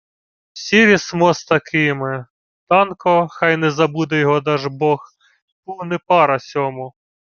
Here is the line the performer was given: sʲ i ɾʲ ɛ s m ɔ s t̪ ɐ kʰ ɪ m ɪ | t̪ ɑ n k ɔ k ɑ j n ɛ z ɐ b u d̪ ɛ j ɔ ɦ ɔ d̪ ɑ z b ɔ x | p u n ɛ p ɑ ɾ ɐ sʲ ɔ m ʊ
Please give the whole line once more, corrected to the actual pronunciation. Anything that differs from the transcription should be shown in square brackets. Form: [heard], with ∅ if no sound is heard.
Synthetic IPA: sʲ i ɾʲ [i] s m ɔ s t̪ ɐ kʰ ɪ m ɪ | t̪ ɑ n k ɔ [x] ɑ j n ɛ z ɐ b u d̪ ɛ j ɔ ɦ ɔ d̪ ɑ [ʒ] b ɔ x | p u n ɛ p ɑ ɾ ɐ sʲ ɔ m ʊ